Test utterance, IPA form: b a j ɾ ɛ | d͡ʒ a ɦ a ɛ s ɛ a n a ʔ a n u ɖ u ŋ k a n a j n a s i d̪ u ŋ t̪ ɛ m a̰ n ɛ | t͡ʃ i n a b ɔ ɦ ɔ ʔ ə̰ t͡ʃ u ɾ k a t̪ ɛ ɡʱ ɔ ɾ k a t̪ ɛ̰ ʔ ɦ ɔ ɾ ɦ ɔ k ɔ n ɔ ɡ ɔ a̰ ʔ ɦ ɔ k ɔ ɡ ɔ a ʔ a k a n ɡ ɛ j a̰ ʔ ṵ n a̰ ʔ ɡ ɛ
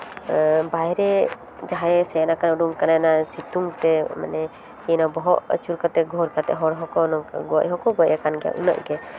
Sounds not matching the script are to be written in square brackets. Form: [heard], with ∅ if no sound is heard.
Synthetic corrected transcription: b a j ɾ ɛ | d͡ʒ a ɦ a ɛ s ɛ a n a [k] a n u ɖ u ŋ k a n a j n a s i [t̪] u ŋ t̪ ɛ m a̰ n ɛ | t͡ʃ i n a b ɔ ɦ ɔ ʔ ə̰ t͡ʃ u ɾ k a t̪ ɛ ɡʱ ɔ ɾ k a t̪ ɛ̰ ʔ ɦ ɔ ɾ ɦ ɔ k ɔ n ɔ ɡ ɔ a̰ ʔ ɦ ɔ k ɔ ɡ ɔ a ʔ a k a n ɡ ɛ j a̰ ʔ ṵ n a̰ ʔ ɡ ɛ